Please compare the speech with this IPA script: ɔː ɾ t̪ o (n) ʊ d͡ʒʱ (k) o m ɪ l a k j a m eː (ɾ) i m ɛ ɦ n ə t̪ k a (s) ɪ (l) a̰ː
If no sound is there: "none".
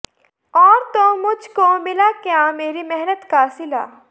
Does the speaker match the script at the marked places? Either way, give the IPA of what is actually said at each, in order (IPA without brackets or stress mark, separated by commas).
m, k, ɾ, s, l